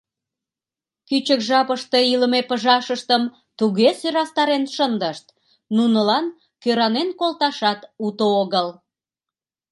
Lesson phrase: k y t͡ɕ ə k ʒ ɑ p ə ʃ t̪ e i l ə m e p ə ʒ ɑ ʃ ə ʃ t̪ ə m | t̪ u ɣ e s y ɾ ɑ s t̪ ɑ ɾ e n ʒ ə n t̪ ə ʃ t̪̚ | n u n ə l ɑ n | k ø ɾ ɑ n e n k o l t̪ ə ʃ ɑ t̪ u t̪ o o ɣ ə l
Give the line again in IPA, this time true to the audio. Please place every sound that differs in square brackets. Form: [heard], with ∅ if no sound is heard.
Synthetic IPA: k y t͡ɕ ə k ʒ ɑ p ə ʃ t̪ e i l ə m e p ə ʒ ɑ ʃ ə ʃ t̪ ə m | t̪ u ɣ e s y ɾ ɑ s t̪ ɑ ɾ e n [ʃ] ə n [d̪] ə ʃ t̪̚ | n u n ə l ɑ n | k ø ɾ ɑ n e n k o l t̪ [ɑ] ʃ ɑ t̪ u t̪ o o ɣ ə l